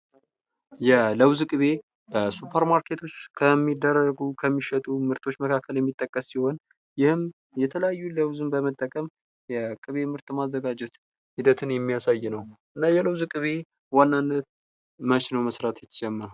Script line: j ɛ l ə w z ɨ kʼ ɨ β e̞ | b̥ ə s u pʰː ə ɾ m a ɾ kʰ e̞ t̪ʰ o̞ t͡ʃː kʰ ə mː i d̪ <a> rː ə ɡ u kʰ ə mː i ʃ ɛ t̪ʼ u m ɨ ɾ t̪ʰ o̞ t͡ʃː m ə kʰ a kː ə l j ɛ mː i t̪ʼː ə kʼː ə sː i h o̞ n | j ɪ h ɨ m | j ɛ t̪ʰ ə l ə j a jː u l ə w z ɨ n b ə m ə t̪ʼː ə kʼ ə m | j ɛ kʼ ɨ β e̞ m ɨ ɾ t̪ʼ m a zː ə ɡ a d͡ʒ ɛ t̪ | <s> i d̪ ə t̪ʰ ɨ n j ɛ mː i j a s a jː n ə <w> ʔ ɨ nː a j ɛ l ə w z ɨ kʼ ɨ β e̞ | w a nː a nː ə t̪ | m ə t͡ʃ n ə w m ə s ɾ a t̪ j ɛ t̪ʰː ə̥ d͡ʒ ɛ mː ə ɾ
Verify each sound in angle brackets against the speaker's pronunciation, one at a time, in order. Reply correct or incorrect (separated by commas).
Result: incorrect, incorrect, correct